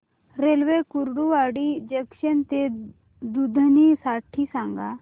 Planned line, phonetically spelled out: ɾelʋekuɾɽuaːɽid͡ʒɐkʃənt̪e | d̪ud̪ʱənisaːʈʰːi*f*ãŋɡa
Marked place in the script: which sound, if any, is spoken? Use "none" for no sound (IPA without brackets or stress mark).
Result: s